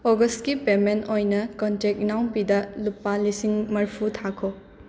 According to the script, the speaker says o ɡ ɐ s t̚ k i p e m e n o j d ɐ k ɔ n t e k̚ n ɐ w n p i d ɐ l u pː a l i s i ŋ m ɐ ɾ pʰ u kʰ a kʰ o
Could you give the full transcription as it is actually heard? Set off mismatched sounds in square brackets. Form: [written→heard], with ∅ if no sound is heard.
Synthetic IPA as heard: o ɡ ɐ s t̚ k i p e m e n o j [d→n] ɐ k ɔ n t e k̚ n [ɐ→a] w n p i d ɐ l u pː a l i s i ŋ m ɐ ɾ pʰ u [kʰ→tʰ] a kʰ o